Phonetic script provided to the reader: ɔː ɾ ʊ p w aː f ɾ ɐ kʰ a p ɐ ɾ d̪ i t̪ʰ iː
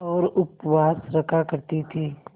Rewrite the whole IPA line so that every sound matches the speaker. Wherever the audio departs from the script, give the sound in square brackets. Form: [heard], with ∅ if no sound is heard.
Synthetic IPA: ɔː ɾ ʊ p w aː [s] ɾ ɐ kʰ a [k] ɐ ɾ [t̪] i t̪ʰ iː